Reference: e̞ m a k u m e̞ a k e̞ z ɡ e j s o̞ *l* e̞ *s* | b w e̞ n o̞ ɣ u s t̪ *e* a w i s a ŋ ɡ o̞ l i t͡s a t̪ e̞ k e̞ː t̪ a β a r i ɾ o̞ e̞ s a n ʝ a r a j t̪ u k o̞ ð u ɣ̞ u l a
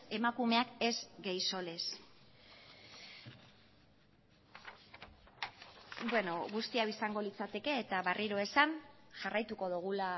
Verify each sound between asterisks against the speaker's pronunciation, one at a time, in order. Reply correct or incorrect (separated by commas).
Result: correct, correct, incorrect